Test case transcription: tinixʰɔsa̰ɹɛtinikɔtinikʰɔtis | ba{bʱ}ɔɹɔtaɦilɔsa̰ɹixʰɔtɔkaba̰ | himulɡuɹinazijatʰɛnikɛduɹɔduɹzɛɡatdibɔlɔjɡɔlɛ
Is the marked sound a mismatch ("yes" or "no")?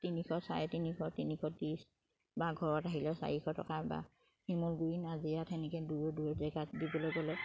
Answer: yes